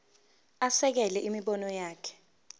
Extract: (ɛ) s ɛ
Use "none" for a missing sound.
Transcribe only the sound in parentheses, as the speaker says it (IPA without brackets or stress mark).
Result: a